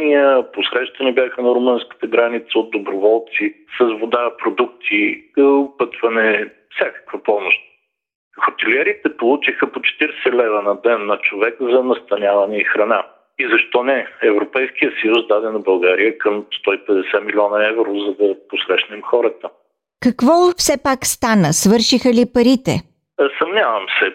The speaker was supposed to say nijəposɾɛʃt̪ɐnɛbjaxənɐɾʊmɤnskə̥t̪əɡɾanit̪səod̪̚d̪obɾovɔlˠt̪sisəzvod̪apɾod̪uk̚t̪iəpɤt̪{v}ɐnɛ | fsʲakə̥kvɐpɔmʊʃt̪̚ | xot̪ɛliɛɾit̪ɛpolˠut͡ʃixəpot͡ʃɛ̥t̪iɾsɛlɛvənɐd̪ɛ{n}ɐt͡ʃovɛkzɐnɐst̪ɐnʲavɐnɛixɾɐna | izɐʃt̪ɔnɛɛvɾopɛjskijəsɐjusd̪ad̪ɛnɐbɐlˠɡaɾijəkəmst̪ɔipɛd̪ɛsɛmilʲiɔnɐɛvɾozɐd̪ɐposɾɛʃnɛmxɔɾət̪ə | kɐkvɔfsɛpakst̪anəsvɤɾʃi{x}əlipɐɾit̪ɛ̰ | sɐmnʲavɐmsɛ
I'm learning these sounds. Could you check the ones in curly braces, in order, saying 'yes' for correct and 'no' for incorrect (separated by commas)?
yes, no, yes